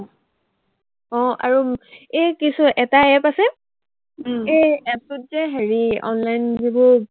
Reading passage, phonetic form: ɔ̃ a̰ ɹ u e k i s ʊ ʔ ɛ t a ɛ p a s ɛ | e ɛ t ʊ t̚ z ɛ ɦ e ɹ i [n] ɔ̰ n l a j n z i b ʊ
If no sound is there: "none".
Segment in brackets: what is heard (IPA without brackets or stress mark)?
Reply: none